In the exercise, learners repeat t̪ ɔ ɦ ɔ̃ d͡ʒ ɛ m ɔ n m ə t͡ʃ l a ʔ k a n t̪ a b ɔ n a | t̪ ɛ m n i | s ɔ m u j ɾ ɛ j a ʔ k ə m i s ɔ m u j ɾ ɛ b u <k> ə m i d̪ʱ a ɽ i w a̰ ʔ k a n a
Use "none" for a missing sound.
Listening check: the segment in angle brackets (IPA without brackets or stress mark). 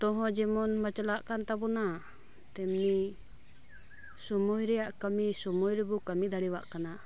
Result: k